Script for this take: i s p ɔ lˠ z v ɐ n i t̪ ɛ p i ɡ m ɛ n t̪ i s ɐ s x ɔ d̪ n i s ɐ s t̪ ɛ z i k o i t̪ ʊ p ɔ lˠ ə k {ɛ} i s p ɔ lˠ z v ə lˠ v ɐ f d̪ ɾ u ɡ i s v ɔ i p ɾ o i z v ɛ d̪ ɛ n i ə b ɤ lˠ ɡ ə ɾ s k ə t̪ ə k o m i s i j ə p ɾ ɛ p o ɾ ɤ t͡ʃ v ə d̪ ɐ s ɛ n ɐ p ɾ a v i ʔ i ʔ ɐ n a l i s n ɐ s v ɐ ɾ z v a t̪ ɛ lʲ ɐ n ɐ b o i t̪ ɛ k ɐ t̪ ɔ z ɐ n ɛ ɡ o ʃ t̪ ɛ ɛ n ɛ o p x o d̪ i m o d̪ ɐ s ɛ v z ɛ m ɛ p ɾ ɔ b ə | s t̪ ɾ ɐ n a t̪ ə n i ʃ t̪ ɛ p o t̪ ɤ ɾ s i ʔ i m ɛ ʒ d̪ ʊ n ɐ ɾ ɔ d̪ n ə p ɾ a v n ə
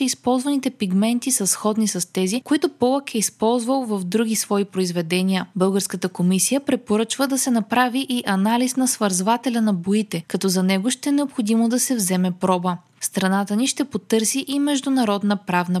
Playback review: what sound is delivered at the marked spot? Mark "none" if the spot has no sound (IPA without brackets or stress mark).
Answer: ɛ